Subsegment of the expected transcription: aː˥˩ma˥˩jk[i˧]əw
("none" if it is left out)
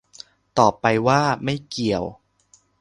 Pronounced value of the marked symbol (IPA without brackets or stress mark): i˨˩